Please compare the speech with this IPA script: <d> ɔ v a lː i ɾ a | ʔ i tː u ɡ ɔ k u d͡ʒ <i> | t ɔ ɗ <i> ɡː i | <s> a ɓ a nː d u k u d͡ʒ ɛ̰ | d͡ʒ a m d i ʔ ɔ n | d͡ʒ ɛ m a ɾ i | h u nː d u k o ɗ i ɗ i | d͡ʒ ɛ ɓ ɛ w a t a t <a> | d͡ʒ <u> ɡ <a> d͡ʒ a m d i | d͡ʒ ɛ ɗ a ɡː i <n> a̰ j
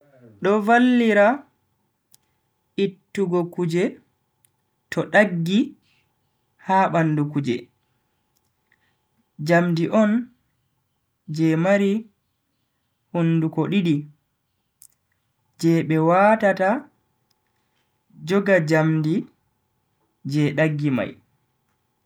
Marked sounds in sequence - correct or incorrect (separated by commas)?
incorrect, incorrect, incorrect, incorrect, correct, incorrect, correct, incorrect